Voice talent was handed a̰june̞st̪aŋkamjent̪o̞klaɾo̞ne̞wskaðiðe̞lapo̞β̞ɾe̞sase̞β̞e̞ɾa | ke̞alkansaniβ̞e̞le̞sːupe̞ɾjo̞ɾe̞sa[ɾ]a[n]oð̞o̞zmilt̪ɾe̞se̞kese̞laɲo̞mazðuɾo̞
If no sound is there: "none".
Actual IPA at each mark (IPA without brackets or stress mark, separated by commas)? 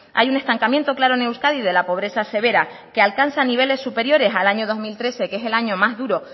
l, ɲ